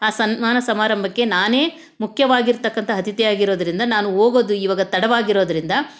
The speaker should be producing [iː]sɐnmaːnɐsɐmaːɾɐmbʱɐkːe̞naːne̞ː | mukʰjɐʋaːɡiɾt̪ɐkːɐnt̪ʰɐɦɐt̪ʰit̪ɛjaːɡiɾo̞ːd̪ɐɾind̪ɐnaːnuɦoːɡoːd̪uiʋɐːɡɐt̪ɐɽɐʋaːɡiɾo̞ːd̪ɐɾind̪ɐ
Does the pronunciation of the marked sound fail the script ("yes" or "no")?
yes